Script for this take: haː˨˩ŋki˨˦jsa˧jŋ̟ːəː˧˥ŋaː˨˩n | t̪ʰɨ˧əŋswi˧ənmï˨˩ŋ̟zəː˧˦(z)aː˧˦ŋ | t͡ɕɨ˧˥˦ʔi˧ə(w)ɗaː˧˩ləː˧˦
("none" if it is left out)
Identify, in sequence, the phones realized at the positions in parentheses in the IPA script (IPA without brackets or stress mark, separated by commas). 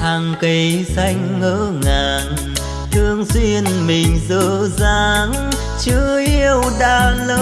z, w